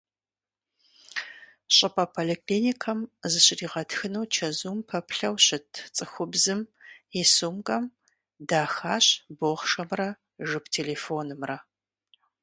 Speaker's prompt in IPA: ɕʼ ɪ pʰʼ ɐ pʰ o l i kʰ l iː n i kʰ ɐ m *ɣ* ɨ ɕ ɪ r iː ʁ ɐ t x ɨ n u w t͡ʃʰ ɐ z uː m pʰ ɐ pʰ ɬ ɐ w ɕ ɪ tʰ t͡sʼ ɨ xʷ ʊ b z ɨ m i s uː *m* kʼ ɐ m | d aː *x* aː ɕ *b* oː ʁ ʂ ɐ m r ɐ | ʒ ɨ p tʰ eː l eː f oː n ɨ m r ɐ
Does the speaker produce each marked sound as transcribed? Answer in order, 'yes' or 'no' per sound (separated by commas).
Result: no, yes, yes, yes